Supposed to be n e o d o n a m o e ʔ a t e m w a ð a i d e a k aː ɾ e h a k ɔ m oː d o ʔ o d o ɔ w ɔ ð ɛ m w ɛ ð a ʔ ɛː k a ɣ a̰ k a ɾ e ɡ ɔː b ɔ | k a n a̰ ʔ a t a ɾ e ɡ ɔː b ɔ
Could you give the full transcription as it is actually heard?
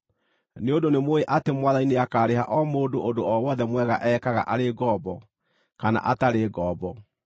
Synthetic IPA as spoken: n e o d o n e m o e ʔ a t e m w a ð a i n e a k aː ɾ e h a ʔ ɔ m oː d o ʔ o d o ɔ w ɔ ð ɛ m w ɛ ɣ a ʔ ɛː k a ɣ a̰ ʔ a ɾ e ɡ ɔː b ɔ | k a n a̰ ʔ a t a ɾ e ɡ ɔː b ɔ